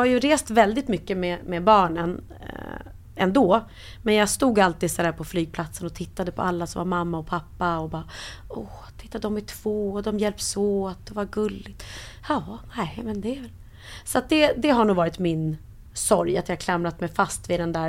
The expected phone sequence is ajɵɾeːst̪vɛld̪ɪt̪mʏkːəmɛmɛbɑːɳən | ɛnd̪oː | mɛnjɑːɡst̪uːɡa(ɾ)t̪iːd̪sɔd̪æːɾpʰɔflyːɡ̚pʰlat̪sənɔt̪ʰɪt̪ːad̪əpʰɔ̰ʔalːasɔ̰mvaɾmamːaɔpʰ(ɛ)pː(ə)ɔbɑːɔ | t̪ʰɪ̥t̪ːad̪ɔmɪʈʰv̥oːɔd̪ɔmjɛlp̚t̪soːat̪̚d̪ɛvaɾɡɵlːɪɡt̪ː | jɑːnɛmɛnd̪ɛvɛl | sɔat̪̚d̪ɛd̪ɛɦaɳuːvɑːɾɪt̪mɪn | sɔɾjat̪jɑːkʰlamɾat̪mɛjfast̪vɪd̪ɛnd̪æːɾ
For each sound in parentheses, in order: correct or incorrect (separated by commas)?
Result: incorrect, incorrect, incorrect